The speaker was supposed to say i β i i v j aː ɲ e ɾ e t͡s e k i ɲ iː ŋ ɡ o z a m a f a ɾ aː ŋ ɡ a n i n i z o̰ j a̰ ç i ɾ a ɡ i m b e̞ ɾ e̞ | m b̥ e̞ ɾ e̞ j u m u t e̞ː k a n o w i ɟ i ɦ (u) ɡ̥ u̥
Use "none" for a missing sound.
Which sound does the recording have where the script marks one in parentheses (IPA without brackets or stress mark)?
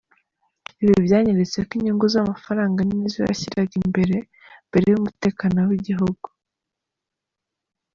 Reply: u